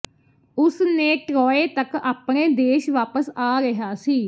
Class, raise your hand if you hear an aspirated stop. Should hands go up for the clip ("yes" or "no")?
no